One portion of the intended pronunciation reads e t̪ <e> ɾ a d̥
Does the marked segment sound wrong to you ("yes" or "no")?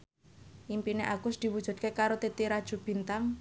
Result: yes